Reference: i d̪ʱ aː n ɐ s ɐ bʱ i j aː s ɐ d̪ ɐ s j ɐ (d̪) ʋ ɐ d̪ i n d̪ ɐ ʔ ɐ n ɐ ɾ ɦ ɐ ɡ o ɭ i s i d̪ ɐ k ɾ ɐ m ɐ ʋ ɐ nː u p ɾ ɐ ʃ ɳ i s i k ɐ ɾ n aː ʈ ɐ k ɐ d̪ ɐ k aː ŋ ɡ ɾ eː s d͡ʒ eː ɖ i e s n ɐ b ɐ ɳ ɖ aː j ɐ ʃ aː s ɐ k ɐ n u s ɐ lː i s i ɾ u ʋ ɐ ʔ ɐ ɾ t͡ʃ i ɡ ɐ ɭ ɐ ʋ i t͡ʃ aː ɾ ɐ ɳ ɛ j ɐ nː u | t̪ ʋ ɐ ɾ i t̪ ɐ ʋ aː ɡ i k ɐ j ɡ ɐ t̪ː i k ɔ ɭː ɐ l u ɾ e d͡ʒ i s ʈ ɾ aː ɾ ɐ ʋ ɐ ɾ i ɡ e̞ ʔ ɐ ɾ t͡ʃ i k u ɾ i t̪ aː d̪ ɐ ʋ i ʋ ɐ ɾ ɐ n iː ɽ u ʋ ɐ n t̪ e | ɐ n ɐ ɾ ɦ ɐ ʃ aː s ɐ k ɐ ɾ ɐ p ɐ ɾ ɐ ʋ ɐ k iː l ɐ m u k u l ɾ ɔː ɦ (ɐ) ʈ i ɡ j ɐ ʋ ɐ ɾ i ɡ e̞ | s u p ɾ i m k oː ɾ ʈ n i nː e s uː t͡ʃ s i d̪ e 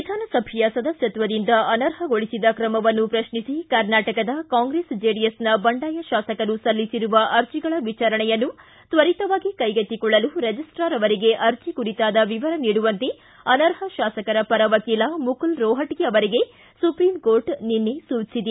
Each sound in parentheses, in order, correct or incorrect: incorrect, correct

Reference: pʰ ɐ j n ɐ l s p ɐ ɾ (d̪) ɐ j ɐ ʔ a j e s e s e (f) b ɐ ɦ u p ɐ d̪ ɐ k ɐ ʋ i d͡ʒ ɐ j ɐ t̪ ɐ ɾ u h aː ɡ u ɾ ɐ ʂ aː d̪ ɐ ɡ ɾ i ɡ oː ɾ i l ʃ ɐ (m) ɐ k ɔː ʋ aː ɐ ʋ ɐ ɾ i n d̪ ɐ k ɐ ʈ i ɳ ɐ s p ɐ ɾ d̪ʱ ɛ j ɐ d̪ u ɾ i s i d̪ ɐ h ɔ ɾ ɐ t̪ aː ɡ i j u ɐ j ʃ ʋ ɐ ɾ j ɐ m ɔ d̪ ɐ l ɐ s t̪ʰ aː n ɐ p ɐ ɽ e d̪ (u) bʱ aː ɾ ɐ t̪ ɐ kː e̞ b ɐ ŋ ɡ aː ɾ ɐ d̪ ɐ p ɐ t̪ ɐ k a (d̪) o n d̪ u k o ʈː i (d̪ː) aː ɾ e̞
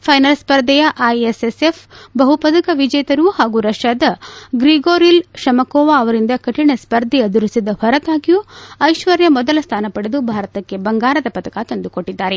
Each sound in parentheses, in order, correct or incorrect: correct, correct, correct, correct, incorrect, correct

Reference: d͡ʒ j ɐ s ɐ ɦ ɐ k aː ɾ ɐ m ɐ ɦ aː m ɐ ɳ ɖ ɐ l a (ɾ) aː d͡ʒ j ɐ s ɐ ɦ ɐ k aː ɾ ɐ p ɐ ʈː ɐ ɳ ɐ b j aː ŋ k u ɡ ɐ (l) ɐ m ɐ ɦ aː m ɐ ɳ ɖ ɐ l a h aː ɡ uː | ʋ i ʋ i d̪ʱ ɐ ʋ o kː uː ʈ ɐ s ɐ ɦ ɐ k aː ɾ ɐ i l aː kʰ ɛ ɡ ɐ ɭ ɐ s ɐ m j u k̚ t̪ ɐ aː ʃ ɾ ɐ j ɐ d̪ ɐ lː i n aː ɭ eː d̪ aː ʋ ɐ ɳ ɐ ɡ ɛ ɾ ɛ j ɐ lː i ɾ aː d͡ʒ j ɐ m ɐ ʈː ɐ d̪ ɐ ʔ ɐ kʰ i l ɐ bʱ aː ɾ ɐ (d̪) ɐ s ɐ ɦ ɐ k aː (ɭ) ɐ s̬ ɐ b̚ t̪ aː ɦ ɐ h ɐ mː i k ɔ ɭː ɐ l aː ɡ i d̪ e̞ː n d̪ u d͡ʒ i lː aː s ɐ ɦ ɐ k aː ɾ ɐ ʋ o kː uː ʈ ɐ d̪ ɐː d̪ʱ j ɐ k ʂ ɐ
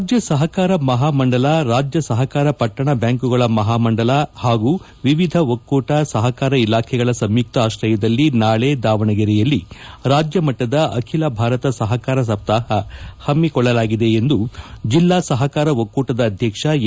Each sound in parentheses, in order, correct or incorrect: correct, incorrect, incorrect, incorrect

